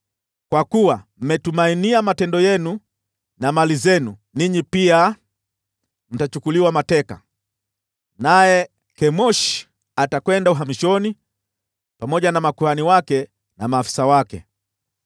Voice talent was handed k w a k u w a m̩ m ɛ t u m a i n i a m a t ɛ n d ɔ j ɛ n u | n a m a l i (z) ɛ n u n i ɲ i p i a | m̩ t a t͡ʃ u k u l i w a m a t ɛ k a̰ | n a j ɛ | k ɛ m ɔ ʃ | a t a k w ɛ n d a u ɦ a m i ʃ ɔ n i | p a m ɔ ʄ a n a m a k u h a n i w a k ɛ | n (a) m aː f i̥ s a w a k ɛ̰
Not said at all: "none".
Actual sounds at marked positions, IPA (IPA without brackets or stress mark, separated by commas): z, a